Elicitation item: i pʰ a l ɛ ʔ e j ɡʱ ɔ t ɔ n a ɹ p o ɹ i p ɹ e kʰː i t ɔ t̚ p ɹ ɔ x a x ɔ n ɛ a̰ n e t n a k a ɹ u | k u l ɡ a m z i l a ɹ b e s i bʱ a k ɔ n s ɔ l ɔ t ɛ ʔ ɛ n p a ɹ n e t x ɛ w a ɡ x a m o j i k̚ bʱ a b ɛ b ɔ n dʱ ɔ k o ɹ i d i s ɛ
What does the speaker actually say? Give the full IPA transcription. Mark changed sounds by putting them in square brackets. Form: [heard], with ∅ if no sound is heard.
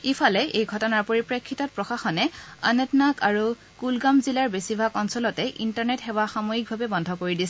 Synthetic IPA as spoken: i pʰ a l ɛ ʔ e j ɡʱ ɔ t ɔ n a ɹ p o ɹ i p ɹ e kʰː i t ɔ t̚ p ɹ ɔ x a x ɔ n ɛ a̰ n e t n a k a ɹ u | k u l ɡ a m z i l a ɹ b e s i bʱ a k ɔ n s ɔ l ɔ t ɛ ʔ [i] n [t] a ɹ n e t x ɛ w a [∅] x a m o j i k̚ bʱ a b ɛ b ɔ n dʱ ɔ k o ɹ i d i s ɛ